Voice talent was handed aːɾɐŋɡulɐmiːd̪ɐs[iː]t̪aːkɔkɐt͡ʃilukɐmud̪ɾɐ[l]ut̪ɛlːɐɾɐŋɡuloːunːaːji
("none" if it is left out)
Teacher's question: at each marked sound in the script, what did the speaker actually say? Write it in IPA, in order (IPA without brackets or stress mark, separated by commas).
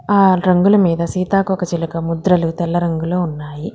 iː, l